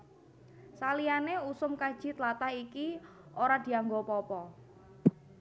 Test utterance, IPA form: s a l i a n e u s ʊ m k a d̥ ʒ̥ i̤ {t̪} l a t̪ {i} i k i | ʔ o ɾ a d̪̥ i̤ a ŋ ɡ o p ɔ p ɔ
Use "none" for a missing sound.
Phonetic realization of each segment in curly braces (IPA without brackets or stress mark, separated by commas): t̪, a